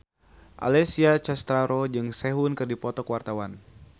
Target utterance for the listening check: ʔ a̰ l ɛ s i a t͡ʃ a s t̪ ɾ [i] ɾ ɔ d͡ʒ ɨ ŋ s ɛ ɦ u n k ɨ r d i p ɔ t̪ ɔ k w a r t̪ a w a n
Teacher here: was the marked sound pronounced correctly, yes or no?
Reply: no